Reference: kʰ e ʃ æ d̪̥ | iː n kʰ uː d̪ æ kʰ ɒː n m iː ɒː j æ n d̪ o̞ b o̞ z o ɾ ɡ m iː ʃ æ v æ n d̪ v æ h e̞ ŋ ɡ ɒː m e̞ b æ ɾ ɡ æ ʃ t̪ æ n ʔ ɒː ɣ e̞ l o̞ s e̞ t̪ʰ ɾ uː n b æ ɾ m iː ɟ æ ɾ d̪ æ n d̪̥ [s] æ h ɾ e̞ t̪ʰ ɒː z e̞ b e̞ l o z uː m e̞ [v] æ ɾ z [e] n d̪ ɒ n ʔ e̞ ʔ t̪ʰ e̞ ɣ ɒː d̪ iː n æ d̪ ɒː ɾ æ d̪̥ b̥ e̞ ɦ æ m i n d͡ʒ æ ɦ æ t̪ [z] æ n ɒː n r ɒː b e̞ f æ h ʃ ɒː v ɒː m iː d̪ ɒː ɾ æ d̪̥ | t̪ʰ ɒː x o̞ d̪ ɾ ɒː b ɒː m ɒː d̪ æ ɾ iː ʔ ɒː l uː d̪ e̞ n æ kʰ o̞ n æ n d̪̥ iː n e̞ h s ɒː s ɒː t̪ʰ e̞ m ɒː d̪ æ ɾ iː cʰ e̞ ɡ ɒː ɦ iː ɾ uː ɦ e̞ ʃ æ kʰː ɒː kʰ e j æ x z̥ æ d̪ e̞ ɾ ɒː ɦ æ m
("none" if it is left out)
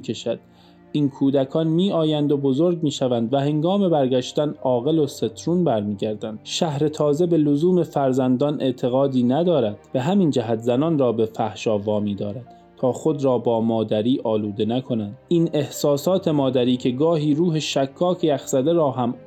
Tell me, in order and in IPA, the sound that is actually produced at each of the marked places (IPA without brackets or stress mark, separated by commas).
ʃ, f, æ, z